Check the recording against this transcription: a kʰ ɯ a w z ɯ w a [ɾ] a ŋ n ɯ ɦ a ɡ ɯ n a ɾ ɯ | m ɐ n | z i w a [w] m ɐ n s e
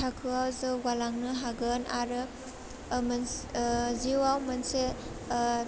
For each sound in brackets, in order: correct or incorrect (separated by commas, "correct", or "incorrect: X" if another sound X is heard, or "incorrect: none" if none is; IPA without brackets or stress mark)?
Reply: incorrect: l, correct